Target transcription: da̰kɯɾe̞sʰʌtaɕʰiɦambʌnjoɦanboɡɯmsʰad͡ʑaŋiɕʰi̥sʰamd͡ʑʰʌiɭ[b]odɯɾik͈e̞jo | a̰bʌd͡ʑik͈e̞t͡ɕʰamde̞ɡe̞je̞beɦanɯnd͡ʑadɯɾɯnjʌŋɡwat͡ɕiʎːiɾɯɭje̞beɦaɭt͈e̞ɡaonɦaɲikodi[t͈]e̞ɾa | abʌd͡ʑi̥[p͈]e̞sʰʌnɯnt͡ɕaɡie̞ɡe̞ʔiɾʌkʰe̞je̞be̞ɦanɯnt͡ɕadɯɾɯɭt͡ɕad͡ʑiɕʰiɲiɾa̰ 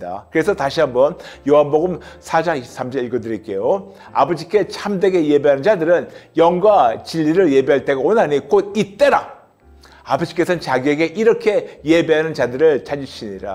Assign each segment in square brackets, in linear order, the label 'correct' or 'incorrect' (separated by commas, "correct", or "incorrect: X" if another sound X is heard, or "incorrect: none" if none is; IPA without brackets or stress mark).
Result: incorrect: ɡ, correct, incorrect: k͈